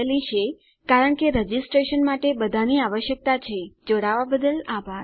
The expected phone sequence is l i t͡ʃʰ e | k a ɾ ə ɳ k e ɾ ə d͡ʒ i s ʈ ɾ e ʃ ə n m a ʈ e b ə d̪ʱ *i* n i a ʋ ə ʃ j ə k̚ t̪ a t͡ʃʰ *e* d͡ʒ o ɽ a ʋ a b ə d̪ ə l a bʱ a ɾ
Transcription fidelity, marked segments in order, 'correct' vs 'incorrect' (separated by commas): incorrect, correct